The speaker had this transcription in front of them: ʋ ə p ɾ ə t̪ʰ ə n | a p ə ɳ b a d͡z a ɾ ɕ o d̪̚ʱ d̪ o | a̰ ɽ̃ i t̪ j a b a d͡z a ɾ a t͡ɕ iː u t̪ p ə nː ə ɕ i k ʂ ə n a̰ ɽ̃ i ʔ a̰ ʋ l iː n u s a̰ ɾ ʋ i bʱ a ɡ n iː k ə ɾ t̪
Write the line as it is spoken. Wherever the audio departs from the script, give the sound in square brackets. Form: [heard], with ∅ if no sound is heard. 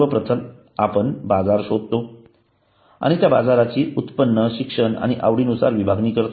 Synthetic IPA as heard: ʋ ə p ɾ ə t̪ʰ ə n | a p ə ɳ b a d͡z a ɾ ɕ o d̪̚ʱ [t̪] o | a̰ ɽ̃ i t̪ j a b a d͡z a ɾ a t͡ɕ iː u t̪ p ə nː ə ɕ i k ʂ ə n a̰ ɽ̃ i ʔ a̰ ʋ [ɽ] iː n u s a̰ ɾ ʋ i bʱ a ɡ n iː k ə ɾ t̪